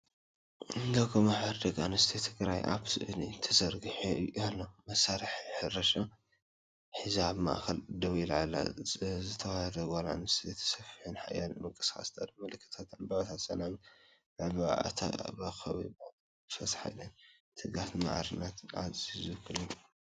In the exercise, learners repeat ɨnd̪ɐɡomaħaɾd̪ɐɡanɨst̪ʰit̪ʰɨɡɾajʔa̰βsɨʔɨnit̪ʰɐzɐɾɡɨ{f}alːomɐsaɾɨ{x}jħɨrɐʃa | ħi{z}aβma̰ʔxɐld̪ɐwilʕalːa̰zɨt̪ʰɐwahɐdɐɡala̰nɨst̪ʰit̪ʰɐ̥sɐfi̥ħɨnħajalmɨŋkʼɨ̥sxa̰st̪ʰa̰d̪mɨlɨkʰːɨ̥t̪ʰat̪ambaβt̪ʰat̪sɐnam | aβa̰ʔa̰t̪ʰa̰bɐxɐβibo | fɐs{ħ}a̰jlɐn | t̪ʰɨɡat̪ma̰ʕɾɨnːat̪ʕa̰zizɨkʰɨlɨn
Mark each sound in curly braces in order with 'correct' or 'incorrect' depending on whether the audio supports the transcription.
incorrect: ħ, incorrect: ħ, correct, correct

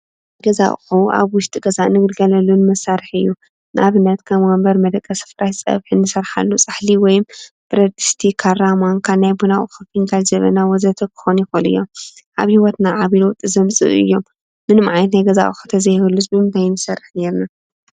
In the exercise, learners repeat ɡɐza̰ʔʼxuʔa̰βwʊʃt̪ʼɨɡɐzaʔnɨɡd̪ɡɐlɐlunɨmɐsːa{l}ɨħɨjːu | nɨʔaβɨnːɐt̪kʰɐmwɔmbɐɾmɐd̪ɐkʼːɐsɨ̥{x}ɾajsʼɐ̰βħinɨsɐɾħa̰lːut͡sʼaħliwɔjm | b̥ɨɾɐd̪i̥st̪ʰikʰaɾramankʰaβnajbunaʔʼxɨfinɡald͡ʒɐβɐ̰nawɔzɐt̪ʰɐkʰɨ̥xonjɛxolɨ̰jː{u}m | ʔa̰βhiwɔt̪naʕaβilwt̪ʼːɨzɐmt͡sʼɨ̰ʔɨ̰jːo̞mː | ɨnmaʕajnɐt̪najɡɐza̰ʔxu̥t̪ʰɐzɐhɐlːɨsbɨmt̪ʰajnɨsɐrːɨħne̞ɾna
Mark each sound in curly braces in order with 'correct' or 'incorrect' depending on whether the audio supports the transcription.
incorrect: ɾ, incorrect: f, incorrect: o

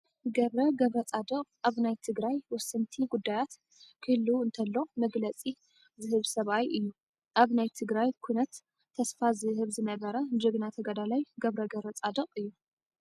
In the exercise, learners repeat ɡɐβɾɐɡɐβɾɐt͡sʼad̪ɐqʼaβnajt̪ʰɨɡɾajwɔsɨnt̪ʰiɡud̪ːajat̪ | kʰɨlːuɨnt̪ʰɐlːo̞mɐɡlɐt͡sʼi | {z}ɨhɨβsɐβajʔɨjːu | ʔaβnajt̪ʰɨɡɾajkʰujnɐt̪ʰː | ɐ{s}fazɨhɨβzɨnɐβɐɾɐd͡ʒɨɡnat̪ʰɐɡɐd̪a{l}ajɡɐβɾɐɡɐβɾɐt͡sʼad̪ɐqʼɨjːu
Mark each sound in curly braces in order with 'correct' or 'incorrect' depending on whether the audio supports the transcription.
correct, correct, correct

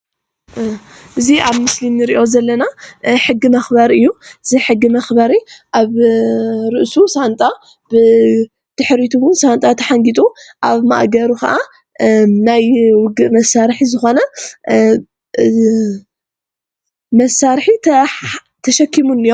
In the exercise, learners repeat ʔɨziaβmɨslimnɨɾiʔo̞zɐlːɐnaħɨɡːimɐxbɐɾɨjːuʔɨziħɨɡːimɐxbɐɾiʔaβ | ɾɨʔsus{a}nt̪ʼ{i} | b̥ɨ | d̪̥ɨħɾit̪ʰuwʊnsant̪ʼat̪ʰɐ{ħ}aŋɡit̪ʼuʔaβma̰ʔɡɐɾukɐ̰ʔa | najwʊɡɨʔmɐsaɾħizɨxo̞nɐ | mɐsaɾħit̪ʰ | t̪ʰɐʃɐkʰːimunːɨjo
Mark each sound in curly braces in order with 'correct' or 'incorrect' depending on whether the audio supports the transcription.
correct, incorrect: a, correct

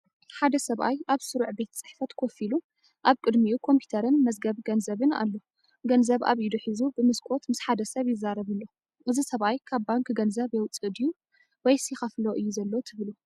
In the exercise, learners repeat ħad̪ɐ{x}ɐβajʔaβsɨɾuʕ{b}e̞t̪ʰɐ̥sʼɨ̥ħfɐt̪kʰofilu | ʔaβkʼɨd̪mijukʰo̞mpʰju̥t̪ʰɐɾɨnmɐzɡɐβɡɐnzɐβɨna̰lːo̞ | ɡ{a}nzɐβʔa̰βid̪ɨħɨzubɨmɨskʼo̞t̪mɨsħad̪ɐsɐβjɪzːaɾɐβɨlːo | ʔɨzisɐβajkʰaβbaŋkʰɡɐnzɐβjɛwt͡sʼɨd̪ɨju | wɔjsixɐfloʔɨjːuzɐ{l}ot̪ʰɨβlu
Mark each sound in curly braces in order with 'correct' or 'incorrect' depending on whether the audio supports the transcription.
incorrect: s, correct, incorrect: ɐ, incorrect: lː

